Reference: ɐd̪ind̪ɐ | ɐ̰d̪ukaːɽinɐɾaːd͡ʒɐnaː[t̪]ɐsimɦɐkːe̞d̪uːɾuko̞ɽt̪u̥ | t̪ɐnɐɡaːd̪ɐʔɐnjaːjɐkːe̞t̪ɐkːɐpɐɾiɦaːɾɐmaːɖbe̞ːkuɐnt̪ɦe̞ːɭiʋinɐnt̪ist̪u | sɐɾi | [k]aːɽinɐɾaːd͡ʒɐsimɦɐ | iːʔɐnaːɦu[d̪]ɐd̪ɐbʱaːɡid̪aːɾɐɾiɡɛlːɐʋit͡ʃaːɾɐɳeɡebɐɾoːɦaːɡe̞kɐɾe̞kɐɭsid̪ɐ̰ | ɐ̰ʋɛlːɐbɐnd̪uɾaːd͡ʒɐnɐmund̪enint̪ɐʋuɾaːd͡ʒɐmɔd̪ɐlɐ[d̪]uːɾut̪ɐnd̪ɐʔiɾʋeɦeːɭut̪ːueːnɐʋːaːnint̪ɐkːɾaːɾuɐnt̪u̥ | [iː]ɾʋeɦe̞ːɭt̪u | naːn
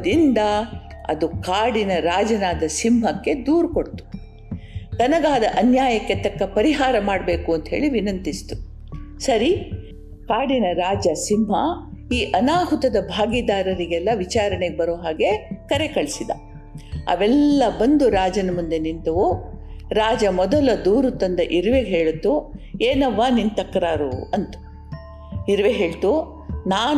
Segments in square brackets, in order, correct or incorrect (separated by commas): incorrect, correct, incorrect, correct, incorrect